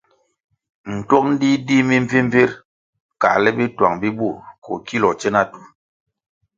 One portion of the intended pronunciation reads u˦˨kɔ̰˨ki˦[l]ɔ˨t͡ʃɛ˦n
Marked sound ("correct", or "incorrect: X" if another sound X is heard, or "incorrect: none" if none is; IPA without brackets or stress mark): correct